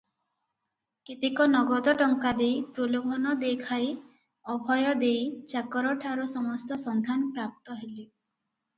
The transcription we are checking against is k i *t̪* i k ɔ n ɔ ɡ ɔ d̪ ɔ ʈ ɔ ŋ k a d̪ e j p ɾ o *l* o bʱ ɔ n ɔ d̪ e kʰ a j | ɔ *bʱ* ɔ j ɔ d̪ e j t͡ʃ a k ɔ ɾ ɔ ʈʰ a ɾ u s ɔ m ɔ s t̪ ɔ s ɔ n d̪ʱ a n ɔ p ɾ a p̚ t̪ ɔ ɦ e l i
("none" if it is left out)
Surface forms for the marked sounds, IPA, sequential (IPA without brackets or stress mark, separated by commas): t̪, l, bʱ